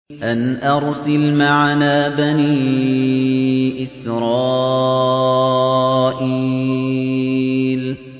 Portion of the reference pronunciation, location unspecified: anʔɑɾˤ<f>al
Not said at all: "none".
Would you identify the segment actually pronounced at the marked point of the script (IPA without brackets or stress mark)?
s